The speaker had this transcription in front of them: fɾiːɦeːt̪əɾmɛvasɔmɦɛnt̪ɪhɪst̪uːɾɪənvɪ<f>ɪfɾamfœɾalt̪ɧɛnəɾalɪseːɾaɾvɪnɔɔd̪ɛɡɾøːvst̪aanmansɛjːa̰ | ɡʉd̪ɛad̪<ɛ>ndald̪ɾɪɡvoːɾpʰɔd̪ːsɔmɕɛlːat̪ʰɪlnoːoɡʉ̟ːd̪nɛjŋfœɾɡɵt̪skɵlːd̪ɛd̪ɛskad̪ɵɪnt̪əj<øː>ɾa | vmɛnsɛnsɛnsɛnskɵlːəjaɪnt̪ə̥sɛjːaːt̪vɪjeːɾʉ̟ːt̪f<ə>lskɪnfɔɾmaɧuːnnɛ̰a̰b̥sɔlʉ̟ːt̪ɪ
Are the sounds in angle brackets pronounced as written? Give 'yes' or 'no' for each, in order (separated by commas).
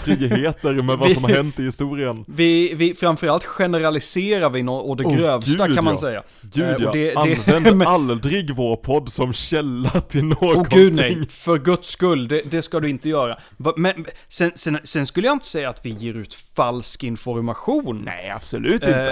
no, yes, no, no